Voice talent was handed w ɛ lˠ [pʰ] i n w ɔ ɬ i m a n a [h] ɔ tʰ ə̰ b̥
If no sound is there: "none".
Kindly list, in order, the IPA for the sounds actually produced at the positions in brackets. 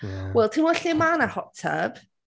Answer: tʰ, h

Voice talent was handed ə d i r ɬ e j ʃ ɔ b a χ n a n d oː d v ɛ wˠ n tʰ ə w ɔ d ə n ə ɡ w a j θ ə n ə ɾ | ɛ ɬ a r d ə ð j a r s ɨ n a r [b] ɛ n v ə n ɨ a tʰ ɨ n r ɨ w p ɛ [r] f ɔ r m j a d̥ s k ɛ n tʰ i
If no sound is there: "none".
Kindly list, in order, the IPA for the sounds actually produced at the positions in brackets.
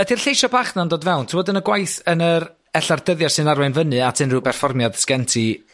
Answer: w, r

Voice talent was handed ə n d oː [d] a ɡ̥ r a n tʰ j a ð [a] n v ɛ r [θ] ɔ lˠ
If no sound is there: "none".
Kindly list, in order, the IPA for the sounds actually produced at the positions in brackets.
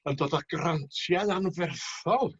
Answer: d, a, θ

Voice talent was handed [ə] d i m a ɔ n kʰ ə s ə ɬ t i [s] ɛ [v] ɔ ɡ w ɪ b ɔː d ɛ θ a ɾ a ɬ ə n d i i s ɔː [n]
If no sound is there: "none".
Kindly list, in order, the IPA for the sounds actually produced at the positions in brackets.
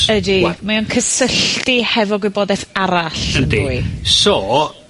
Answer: ə, h, v, none

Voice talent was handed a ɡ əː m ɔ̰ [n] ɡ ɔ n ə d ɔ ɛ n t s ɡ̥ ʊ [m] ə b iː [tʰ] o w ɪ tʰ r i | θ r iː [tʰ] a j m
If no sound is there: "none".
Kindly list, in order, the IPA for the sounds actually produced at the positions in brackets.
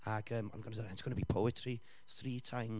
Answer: n, n, pʰ, tʰ

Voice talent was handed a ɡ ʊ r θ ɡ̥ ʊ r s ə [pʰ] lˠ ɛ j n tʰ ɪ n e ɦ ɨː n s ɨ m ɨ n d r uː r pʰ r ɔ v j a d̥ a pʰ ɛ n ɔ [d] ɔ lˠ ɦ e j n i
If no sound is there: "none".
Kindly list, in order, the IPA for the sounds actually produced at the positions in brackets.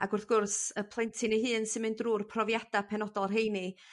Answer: pʰ, d

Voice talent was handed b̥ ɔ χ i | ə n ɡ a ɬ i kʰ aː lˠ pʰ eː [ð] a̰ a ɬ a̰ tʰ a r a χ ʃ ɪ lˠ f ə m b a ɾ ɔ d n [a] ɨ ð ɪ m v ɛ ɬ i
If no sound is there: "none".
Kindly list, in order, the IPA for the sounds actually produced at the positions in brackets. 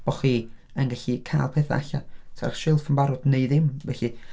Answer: θ, e

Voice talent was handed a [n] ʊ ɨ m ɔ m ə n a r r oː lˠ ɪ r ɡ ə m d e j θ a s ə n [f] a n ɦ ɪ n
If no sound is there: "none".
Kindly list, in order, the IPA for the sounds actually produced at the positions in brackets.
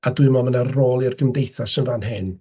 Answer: d, v

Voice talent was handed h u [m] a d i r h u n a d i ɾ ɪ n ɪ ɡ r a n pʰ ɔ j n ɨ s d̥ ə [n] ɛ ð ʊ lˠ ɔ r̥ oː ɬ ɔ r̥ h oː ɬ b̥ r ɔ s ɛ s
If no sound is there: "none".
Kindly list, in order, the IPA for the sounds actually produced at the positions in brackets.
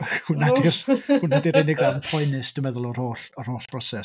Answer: n, m

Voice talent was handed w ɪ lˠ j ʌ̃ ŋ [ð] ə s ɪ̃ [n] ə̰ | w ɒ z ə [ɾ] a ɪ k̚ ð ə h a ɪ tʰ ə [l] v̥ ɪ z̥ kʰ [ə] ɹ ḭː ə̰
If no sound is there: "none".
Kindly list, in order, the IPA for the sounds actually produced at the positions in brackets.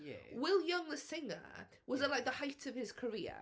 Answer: ð, ŋ, l, none, ə

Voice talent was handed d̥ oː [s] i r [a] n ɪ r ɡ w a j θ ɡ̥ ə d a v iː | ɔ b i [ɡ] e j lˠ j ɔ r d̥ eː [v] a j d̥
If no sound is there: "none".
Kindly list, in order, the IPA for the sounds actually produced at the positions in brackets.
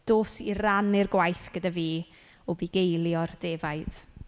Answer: s, a, ɡ, v

